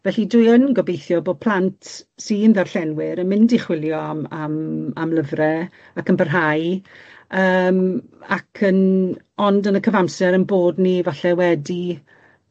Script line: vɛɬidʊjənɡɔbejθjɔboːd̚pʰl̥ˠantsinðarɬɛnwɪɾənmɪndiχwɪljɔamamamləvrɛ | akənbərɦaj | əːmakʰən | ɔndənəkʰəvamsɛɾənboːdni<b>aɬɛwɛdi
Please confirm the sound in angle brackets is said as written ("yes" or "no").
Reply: no